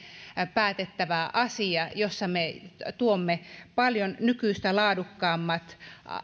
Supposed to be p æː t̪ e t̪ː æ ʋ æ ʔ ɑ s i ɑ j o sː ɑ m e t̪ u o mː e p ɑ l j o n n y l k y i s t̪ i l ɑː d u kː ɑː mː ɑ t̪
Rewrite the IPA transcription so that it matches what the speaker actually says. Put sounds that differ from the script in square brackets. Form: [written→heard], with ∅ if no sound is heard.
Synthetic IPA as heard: p æː t̪ e t̪ː æ ʋ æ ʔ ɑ s i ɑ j o sː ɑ m e t̪ u o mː e p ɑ l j o n n y [l→∅] k y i s t̪ [i→æ] l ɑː d u kː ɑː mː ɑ t̪